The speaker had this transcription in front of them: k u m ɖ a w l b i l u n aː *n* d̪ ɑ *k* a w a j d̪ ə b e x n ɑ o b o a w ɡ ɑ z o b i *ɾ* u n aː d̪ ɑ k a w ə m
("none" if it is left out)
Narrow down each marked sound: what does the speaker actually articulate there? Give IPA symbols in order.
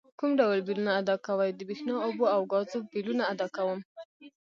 none, k, l

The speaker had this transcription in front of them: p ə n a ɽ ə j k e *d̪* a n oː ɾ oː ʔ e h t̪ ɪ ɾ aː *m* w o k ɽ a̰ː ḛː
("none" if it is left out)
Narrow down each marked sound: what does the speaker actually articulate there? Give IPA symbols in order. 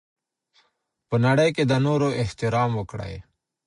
d̪, m

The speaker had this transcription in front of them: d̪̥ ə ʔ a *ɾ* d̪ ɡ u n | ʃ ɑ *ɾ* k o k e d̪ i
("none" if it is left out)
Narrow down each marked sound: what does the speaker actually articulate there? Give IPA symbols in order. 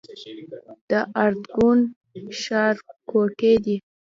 ɾ, ɾ

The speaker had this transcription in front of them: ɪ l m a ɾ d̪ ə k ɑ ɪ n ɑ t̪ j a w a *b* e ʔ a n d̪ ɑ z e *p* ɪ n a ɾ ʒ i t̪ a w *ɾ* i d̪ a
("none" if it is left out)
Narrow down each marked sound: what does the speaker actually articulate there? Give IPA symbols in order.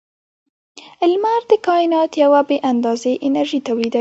b, ʔ, l

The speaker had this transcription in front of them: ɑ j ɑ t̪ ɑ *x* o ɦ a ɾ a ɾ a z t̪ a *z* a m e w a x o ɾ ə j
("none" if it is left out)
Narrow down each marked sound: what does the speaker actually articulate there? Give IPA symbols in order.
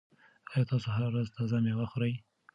s, z

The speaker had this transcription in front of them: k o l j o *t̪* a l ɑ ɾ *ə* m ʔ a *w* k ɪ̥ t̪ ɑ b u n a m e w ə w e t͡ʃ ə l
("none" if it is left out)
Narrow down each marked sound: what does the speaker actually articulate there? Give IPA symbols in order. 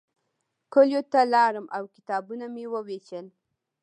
t̪, ə, w

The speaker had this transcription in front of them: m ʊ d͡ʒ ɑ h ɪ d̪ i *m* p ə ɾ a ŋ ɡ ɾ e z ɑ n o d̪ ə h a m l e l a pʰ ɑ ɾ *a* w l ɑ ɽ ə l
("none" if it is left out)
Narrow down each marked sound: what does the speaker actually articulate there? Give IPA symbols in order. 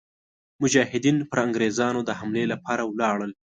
n, a

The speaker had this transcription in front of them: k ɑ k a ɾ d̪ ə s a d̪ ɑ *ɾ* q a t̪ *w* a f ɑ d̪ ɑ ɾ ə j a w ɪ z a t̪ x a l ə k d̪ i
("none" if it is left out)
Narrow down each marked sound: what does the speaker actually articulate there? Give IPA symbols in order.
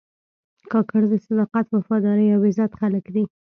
none, w

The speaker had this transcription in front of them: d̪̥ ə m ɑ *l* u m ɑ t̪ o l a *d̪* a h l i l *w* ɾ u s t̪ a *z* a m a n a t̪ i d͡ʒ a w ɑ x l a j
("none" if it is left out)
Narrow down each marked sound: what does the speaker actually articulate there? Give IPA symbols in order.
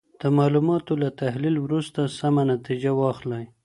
l, t̪, w, s

